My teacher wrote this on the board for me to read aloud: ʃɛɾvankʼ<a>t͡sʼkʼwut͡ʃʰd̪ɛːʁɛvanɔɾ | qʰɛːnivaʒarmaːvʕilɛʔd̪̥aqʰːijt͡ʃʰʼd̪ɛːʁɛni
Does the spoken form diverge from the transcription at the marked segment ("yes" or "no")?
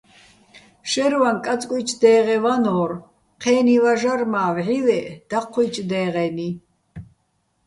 no